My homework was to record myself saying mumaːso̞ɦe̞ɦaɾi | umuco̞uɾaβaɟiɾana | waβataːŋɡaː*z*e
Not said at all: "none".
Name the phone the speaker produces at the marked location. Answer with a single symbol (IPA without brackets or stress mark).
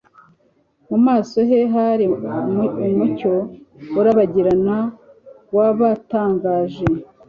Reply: ʒ